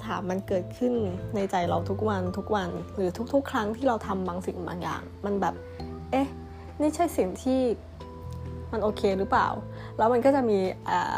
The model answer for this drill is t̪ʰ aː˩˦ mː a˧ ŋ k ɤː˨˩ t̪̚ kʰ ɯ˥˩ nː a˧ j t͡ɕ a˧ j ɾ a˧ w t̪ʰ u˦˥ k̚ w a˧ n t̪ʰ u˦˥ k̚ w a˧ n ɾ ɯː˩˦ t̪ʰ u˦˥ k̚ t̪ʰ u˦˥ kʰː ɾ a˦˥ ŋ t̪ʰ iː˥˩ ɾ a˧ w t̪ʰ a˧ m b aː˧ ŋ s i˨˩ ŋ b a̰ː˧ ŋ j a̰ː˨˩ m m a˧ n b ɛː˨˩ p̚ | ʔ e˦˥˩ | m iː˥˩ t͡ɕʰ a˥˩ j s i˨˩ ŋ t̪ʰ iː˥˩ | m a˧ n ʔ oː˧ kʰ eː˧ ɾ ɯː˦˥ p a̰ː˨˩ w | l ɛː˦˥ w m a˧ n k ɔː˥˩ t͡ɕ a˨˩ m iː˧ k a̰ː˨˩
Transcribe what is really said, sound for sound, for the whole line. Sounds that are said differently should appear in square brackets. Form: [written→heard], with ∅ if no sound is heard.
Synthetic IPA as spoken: t̪ʰ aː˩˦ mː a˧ [ŋ→n] k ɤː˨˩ t̪̚ kʰ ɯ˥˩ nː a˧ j t͡ɕ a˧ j ɾ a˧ w t̪ʰ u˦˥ k̚ w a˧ n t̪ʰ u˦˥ k̚ w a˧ n ɾ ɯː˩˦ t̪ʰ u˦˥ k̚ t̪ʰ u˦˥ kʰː ɾ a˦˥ ŋ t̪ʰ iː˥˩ ɾ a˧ w t̪ʰ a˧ m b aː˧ ŋ s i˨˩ ŋ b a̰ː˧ ŋ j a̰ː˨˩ [m→ŋ] m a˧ n b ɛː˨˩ p̚ | ʔ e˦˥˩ | m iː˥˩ t͡ɕʰ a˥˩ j s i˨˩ ŋ t̪ʰ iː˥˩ | m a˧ n ʔ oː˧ kʰ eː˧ ɾ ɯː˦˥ p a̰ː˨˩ w | l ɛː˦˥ w m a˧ n k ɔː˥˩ t͡ɕ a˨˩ m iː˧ [k→ʔ] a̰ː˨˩